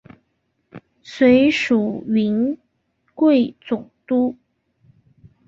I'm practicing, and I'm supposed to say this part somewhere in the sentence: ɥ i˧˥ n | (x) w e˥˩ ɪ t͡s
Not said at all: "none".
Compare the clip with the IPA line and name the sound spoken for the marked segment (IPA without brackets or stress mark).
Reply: k